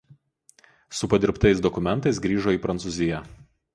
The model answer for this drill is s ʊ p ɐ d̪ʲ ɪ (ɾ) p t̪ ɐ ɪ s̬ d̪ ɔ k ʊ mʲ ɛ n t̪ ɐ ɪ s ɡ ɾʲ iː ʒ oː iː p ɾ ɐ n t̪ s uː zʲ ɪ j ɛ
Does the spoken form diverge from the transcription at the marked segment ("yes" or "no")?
no